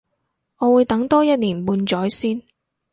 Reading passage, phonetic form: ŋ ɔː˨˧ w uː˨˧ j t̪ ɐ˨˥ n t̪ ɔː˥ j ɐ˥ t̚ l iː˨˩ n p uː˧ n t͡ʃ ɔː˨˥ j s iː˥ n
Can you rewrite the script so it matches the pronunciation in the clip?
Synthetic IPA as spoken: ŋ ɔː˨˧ w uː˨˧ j t̪ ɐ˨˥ ŋ t̪ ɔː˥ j ɐ˥ t̚ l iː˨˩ n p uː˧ n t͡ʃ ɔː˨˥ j s iː˥ n